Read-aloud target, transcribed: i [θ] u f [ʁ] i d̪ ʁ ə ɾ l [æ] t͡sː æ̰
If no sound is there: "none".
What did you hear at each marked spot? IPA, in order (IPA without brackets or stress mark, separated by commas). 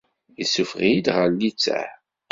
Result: s, ʁ, i